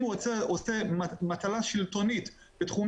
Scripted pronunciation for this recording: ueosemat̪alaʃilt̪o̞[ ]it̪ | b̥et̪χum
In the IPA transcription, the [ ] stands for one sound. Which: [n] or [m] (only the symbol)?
n